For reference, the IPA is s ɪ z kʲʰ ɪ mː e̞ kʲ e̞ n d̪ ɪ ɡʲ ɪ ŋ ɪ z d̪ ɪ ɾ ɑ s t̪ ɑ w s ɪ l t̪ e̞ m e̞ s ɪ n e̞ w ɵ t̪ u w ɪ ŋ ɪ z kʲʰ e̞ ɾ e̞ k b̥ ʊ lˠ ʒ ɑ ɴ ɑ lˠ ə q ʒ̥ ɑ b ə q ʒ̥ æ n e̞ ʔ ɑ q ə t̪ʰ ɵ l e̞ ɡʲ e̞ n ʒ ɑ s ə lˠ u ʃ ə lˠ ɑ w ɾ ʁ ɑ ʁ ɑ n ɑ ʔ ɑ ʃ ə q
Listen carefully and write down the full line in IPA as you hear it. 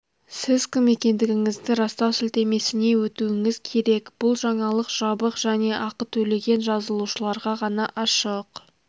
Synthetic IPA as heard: s ɪ z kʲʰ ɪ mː e̞ kʲ e̞ n d̪ ɪ ɡʲ ɪ ŋ ɪ z d̪ ɪ ɾ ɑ s t̪ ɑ w s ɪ l t̪ e̞ m e̞ s ɪ n e̞ w ɵ t̪ u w ɪ ŋ ɪ z kʲʰ e̞ ɾ e̞ k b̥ ʊ lˠ ʒ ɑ ɴ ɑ lˠ ə q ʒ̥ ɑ b ə q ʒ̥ æ n e̞ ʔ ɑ q ə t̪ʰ ɵ l e̞ ɡʲ e̞ n ʒ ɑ z ə lˠ u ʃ ə lˠ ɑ ɾ ʁ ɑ ʁ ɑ n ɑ ʔ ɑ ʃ ə q